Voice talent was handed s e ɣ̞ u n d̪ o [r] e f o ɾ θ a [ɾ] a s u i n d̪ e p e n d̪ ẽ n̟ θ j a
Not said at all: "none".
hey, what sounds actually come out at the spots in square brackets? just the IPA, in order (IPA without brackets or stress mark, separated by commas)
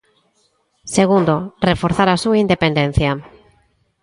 r, ɾ